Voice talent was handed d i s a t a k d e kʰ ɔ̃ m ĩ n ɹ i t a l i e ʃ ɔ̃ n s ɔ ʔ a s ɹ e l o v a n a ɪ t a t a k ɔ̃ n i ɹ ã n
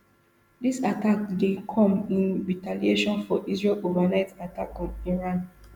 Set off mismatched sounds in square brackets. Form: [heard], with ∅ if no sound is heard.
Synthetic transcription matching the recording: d i s a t a k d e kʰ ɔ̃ m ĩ n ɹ i t a l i e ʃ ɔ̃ n [f] ɔ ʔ [i] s ɹ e l o v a n a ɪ t a t a k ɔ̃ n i ɹ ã n

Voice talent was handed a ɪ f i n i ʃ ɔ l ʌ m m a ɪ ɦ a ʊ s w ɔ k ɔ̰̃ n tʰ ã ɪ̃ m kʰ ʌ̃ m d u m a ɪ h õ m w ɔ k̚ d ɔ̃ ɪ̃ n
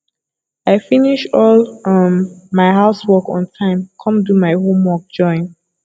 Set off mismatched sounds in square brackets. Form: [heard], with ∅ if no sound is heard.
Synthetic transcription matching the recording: a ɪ f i n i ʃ ɔ l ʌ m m a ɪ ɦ a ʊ s w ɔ k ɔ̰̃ n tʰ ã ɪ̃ m kʰ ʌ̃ m d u m a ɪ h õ m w ɔ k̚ [d͡ʒ] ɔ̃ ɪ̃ n

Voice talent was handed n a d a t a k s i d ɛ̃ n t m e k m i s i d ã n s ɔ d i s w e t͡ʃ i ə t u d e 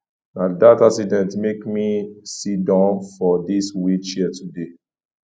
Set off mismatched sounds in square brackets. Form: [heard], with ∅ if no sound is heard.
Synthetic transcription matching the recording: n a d a t a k s i d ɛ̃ n t m e k m i s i d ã n [f] ɔ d i s w [i] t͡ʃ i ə t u d e

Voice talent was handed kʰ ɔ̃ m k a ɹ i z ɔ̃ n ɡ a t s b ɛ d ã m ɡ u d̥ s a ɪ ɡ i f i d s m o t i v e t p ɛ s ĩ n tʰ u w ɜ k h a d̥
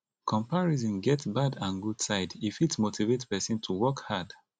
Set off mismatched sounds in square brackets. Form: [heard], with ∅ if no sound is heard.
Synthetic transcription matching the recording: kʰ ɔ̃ m [p] a ɹ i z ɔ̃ n ɡ [ɛ] t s b [a] d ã [n] ɡ u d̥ s a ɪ [d] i f i [t] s m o t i v e t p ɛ s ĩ n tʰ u w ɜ k h a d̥

